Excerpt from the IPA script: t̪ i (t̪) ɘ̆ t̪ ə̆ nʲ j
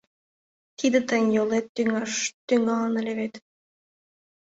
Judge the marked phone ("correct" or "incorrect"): incorrect